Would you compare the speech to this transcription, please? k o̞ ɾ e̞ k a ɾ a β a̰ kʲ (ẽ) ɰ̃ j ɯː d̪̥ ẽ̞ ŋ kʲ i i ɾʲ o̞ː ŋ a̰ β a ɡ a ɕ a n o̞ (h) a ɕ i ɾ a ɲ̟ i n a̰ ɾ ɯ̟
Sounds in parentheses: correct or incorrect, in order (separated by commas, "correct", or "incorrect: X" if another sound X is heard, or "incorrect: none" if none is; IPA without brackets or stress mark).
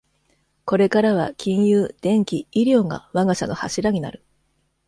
incorrect: ĩ, correct